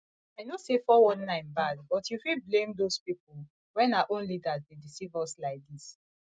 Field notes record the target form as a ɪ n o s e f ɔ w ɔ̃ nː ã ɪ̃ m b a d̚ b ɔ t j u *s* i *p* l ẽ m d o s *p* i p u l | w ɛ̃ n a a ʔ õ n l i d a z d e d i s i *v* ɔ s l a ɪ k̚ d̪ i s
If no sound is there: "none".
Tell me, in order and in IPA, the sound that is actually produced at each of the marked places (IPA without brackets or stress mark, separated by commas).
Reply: f, b, p, v